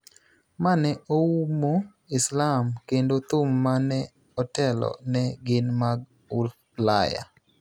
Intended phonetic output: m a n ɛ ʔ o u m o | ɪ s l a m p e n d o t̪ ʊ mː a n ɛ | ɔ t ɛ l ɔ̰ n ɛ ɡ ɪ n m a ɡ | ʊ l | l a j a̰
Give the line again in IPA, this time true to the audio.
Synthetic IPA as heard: m a n ɛ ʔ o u m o | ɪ s l a m k e n d o t̪ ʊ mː a n ɛ | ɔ t ɛ l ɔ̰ n ɛ ɡ ɪ n m a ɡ | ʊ l | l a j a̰